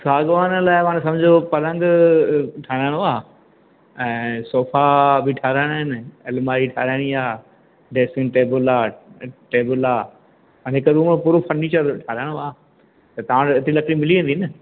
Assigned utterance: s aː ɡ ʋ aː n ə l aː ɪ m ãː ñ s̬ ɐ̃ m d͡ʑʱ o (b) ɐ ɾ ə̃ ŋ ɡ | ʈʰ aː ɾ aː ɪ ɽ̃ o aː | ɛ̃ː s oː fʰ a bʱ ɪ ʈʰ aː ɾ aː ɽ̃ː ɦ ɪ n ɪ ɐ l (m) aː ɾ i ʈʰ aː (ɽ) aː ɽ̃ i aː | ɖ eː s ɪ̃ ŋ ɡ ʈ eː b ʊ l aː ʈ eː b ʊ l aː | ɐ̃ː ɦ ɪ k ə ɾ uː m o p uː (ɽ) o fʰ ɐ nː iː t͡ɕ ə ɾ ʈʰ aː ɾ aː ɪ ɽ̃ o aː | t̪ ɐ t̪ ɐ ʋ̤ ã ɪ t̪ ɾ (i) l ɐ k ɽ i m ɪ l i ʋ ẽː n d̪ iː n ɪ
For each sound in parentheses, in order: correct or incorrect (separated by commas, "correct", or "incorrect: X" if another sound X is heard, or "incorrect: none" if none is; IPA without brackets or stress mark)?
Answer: incorrect: p, correct, incorrect: ɾ, incorrect: ɾ, correct